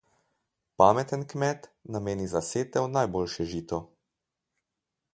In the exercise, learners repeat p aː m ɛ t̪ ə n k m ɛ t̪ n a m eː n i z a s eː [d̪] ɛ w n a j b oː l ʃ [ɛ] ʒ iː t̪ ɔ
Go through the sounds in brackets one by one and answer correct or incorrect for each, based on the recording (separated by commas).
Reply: incorrect, correct